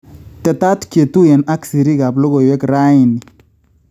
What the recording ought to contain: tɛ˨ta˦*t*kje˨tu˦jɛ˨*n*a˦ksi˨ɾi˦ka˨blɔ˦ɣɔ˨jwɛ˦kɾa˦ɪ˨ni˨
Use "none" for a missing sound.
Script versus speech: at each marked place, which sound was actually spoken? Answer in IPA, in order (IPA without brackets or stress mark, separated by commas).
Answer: t, n